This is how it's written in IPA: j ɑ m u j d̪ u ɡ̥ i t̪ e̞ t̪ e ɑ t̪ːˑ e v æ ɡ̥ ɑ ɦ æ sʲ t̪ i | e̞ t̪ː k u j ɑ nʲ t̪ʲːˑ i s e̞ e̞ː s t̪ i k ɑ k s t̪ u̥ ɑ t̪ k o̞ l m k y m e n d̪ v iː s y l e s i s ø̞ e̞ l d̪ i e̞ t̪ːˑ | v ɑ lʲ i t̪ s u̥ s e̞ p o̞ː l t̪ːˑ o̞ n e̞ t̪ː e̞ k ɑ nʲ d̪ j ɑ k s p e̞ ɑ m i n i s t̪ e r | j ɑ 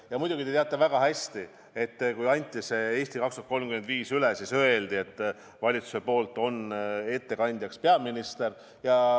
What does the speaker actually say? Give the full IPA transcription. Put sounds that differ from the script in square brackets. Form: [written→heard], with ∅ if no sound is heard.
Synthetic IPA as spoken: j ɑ m u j d̪ u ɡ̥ i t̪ e̞ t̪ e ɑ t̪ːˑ e v æ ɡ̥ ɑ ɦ æ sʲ t̪ i | e̞ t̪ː k u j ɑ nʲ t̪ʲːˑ i s e̞ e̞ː s t̪ i k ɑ k s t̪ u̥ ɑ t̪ k o̞ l m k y m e n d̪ v iː s y l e s i s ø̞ e̞ l d̪ i e̞ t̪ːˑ | v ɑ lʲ i t̪ s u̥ s e̞ p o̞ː l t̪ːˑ o̞ n e̞ t̪ː e̞ k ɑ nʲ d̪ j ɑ k s p e̞ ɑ m i n i s t̪ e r | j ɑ